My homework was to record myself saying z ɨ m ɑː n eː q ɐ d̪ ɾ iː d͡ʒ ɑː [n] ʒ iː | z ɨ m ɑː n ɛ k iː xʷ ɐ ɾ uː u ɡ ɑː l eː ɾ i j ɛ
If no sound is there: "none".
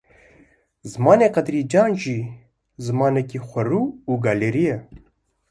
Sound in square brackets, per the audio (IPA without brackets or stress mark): n